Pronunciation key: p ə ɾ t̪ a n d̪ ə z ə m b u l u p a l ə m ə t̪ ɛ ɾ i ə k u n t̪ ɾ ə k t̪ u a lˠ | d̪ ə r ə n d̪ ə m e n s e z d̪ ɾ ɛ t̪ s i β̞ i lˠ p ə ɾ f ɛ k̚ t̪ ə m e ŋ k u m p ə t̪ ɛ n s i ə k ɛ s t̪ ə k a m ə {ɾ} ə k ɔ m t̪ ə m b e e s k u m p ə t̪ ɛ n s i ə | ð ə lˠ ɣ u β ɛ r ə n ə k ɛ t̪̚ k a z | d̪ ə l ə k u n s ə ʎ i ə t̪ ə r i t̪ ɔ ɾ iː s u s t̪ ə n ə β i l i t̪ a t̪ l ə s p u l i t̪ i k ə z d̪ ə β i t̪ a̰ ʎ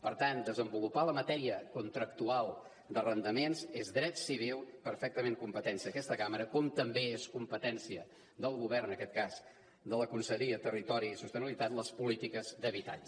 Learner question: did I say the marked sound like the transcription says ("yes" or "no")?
yes